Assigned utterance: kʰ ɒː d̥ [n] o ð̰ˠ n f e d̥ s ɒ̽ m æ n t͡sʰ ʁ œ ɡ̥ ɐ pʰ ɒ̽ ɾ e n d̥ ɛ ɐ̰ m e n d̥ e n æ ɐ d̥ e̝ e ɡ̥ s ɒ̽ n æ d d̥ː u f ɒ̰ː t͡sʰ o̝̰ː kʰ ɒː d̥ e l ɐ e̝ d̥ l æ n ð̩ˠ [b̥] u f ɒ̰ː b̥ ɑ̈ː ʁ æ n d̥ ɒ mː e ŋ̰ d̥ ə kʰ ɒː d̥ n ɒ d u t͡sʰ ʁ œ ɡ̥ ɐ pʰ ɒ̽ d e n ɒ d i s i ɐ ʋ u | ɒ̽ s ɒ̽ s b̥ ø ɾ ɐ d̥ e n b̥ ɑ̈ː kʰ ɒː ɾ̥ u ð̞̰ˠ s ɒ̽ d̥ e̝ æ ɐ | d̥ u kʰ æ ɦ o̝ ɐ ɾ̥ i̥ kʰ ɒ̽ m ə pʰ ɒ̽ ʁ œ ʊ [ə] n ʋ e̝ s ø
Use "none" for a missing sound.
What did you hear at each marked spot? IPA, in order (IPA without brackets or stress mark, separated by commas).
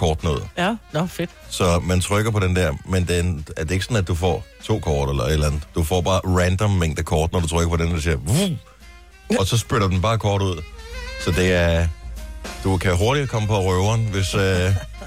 n, d̥, ɐ